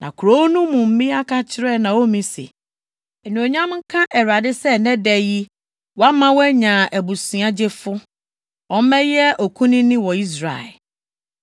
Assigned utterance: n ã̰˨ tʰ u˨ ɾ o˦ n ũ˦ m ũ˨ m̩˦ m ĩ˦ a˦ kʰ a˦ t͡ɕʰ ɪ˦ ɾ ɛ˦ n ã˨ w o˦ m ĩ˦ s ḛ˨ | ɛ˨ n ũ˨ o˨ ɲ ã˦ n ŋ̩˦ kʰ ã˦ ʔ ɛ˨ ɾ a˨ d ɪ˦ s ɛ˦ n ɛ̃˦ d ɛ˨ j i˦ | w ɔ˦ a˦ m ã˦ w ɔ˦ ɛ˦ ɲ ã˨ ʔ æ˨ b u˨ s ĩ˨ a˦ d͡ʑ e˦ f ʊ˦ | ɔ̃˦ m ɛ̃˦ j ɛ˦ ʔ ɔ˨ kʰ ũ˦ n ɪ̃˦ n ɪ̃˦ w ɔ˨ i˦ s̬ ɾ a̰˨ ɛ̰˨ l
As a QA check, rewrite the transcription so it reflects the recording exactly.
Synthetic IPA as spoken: n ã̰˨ kʰ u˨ ɾ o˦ n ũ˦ m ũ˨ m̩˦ m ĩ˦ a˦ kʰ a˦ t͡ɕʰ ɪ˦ ɾ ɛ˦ n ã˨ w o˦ m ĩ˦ s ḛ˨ | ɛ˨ n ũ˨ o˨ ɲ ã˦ m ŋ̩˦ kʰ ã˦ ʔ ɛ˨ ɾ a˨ d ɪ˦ s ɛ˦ n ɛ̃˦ d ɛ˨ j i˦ | w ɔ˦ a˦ m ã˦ w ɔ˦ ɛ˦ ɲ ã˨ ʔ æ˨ b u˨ s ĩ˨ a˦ d͡ʑ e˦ f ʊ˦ | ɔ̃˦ m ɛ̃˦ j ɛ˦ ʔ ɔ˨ kʰ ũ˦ n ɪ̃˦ n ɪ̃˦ w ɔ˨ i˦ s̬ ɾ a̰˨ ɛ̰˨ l